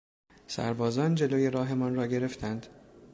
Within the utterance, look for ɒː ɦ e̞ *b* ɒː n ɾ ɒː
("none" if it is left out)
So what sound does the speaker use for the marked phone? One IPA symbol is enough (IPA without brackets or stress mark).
m